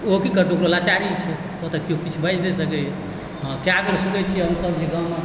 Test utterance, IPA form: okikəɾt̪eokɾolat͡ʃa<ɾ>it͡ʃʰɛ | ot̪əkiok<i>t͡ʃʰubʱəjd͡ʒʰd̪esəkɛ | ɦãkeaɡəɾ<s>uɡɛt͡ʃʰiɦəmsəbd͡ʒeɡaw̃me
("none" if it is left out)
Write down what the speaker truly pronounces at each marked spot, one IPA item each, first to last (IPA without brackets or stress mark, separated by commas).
ɾ, i, s